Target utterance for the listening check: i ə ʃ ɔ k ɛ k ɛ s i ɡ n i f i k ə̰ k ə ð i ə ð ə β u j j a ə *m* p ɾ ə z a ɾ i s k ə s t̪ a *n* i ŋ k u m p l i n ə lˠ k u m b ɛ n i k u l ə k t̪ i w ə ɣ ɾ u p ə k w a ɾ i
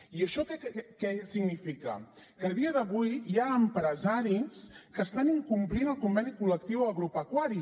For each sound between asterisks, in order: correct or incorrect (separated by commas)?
correct, correct